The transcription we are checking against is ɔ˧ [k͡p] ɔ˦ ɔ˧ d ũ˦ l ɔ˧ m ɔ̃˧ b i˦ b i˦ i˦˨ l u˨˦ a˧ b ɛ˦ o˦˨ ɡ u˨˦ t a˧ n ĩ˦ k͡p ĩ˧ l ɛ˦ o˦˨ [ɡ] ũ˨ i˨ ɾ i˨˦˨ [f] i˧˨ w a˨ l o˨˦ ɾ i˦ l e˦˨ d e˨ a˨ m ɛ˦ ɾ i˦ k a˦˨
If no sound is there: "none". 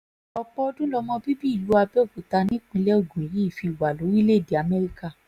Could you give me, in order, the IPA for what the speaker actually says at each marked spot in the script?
k͡p, ɡ, f

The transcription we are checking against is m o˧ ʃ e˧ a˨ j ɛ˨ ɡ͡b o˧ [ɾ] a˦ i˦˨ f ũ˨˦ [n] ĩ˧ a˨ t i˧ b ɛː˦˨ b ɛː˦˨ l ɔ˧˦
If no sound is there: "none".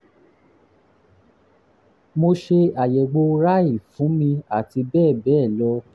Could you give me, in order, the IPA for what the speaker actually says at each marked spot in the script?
ɾ, m

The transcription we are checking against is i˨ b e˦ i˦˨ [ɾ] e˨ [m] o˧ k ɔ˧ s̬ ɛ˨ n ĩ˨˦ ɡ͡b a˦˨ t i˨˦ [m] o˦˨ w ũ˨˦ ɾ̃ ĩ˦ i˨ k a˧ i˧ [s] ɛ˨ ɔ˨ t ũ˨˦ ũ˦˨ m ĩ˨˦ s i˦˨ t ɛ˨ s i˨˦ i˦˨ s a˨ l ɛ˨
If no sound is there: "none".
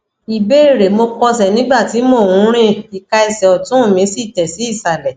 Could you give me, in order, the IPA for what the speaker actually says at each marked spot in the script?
ɾ, m, m, s

